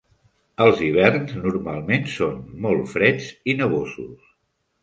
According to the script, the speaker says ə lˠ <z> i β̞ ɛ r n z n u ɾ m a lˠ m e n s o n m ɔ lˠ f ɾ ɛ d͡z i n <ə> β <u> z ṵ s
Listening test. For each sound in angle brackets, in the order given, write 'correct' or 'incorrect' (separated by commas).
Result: correct, correct, incorrect